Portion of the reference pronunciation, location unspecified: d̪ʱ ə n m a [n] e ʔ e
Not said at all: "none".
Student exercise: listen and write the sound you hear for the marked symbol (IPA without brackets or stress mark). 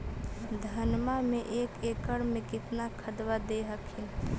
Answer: m